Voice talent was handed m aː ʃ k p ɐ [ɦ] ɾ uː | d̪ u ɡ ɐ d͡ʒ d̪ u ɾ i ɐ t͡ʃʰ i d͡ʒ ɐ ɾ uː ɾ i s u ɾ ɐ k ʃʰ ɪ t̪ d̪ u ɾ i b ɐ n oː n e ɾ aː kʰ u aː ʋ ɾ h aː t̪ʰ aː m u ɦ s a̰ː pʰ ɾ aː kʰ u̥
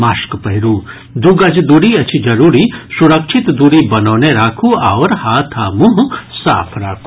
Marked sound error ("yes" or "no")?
no